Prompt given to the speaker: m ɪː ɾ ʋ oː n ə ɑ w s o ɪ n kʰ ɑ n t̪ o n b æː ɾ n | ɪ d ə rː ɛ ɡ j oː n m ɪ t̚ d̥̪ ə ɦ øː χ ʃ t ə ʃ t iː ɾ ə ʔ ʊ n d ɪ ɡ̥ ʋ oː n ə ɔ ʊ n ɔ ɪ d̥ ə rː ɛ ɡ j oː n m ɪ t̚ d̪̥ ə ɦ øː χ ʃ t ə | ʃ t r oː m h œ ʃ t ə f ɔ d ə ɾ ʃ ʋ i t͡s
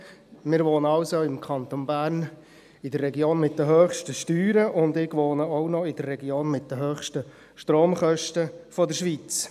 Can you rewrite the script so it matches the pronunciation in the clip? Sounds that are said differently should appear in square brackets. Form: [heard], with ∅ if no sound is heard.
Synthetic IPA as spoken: m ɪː ɾ ʋ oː n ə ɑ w s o ɪ [m] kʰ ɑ n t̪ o n b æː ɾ n | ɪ d ə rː ɛ ɡ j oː n m ɪ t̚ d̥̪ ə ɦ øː χ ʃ t ə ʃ t [yː] ɾ ə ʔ ʊ n d ɪ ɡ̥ ʋ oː n ə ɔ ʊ n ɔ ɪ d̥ ə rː ɛ ɡ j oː n m ɪ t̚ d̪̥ ə ɦ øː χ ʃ t ə | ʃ t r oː m [χ] œ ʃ t ə f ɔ d ə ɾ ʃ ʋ i t͡s